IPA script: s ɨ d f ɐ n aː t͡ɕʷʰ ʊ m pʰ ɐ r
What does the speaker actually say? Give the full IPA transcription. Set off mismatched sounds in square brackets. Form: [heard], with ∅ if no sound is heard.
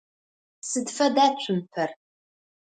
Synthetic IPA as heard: s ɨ d f ɐ [d] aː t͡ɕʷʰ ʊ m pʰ ɐ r

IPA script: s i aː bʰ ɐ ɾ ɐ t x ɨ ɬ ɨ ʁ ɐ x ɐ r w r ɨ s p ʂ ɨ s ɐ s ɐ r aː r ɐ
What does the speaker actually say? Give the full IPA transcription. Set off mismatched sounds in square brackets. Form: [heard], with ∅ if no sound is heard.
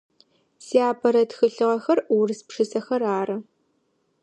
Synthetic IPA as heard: s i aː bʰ ɐ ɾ ɐ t x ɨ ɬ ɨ ʁ ɐ x ɐ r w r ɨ s p ʂ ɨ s ɐ [x] ɐ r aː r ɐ

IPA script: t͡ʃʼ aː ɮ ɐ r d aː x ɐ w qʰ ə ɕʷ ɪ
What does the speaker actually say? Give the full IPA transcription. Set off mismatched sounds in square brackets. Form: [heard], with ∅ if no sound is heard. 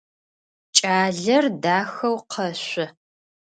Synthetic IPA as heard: t͡ʃʼ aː ɮ ɐ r d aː x ɐ w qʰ [ɐ] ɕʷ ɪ

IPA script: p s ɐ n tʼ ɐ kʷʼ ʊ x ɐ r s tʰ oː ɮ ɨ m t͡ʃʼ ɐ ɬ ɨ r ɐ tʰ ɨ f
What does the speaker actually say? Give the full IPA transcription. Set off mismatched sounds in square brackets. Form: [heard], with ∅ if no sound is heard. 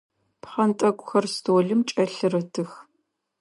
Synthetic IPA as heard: p [χ] ɐ n tʼ ɐ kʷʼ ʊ x ɐ r s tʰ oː ɮ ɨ m t͡ʃʼ ɐ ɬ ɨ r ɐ tʰ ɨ [x]

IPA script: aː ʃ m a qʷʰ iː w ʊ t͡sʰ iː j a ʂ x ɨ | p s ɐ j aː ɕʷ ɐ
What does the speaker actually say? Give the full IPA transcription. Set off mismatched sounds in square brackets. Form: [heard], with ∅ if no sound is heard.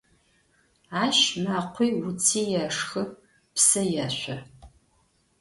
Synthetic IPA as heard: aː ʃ m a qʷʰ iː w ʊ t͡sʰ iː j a ʂ x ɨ | p s ɐ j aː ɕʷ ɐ

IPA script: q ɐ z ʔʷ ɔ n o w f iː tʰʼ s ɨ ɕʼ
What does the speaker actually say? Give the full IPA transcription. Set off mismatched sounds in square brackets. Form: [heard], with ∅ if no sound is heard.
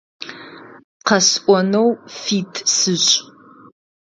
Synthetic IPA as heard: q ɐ [s] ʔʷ ɔ n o w f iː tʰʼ s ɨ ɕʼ

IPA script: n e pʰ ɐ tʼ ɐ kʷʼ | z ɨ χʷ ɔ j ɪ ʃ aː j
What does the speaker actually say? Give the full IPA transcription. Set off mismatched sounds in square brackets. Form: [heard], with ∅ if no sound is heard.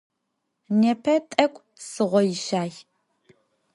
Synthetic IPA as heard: n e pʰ ɐ tʼ ɐ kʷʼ | [s] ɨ [ʁʷ] ɔ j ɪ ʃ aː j

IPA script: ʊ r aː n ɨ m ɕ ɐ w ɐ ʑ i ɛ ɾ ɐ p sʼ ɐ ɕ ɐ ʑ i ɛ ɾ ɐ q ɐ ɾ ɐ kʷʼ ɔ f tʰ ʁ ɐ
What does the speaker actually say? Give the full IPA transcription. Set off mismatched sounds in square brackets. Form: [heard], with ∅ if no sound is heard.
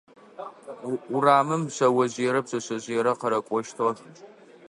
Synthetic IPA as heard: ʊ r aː [m] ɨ m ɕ ɐ w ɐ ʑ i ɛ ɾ ɐ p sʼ ɐ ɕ ɐ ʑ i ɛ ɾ ɐ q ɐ ɾ ɐ kʷʼ ɔ [ʃ] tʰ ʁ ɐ

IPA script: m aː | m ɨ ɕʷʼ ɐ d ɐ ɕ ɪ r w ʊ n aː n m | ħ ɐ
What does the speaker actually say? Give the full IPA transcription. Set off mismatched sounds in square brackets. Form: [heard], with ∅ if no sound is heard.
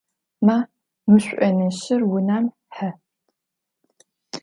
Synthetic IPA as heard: m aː | m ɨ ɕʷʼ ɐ [n] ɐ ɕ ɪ r w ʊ n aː [∅] m | ħ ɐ

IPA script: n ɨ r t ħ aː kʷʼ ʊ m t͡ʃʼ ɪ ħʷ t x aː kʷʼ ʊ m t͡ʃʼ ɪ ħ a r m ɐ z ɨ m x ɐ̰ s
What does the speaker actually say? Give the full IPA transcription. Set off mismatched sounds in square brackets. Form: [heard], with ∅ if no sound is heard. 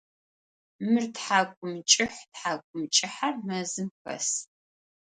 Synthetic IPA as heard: [m] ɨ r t ħ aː kʷʼ ʊ m t͡ʃʼ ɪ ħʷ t [ħ] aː kʷʼ ʊ m t͡ʃʼ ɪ ħ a r m ɐ z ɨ m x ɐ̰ s

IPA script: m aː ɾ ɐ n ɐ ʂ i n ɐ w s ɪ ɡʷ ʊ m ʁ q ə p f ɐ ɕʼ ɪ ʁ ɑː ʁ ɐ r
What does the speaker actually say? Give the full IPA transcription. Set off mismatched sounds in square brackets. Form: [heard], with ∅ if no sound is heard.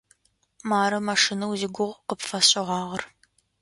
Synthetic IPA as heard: m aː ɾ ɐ [m] ɐ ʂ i n ɐ w [z] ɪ ɡʷ ʊ [∅] ʁ q ə p f ɐ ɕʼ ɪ ʁ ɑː ʁ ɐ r

